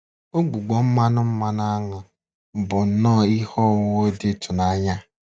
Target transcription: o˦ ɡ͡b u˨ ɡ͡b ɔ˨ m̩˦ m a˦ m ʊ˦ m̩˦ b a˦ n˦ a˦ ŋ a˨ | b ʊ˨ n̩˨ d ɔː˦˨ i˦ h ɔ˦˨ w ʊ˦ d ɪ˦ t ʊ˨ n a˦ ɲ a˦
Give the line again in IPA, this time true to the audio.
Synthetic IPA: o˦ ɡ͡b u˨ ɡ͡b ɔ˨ m̩˦ m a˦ n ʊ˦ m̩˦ m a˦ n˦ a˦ ŋ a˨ | b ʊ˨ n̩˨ n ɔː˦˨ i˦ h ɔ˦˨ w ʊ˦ d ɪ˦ t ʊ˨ n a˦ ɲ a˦